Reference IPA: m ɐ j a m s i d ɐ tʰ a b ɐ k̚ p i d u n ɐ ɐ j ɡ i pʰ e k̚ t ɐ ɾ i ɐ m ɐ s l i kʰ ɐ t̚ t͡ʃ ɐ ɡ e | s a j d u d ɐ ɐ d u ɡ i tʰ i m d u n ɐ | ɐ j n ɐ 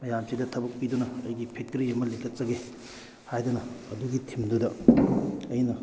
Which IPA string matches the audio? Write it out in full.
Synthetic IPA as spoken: m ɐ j a m s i d ɐ tʰ ɐ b ɐ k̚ p i d u n ɐ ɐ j ɡ i pʰ e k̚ t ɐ ɾ i ɐ m ɐ l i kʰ ɐ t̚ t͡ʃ ɐ ɡ e | h a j d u n ɐ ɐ d u ɡ i tʰ i m d u d ɐ | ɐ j n ɐ